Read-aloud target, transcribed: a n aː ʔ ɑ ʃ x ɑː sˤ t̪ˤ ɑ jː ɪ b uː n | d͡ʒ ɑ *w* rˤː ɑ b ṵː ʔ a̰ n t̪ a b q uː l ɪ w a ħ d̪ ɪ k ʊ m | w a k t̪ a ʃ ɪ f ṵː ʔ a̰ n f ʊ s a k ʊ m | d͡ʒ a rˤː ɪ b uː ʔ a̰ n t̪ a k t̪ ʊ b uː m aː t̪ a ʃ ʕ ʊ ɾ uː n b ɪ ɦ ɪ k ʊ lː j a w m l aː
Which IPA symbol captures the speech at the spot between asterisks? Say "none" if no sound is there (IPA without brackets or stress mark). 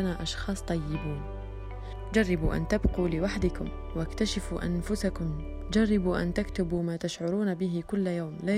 none